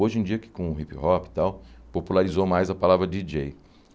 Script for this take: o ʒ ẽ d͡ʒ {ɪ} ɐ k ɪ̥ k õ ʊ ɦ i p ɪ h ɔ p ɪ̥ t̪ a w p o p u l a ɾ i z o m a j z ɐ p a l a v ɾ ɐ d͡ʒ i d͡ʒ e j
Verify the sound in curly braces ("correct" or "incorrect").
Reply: incorrect